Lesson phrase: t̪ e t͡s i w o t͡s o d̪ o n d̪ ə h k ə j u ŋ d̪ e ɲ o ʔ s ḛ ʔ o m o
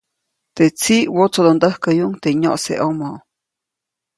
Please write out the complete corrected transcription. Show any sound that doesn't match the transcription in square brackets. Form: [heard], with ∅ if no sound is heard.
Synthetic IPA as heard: t̪ e t͡s i w o t͡s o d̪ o n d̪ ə h k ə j u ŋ [t̪] e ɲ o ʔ s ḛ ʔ o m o